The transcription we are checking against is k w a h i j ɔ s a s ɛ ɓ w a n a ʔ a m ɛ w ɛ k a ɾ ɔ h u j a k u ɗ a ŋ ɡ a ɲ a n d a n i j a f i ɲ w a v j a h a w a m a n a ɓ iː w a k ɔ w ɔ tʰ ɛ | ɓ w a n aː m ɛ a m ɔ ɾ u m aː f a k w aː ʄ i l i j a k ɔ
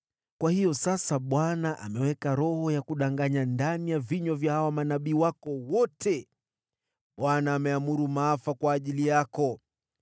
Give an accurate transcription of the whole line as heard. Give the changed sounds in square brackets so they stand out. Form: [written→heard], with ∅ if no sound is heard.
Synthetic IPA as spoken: k w a h i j ɔ s a s [ɛ→a] ɓ w a n a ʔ a m ɛ w ɛ k a ɾ ɔ h [u→ɔ] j a k u ɗ a ŋ ɡ a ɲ a n d a n i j a [f→v] i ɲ w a v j a h a w a m a n a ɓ iː w a k ɔ w ɔ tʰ ɛ | ɓ w a n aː m ɛ a m [ɔ→u] ɾ u m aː f a k w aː ʄ i l i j a k ɔ